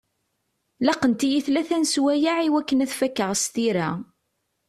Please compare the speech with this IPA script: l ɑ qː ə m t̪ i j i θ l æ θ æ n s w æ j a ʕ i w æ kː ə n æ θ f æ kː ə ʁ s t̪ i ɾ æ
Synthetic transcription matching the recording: l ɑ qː ə n t̪ i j i θ l æ θ æ n s w æ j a ʕ i w æ kː ə n æ θ f æ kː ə ʁ s t̪ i ɾ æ